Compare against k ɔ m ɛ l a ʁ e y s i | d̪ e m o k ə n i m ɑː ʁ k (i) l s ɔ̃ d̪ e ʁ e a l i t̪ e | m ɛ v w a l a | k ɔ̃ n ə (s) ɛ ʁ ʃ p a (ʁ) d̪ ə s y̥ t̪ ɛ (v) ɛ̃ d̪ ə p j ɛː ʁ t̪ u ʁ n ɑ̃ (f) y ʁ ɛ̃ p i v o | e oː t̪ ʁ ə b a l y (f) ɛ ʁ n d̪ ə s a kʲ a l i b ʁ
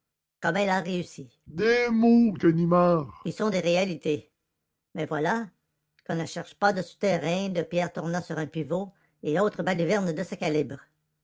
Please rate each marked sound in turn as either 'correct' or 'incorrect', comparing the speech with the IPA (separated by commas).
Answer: correct, incorrect, incorrect, incorrect, incorrect, incorrect